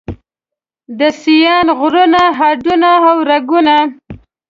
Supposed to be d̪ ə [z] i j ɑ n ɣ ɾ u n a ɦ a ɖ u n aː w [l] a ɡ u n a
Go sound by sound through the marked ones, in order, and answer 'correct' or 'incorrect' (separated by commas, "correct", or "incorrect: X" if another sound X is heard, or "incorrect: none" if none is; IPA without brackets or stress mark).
incorrect: s, incorrect: ɾ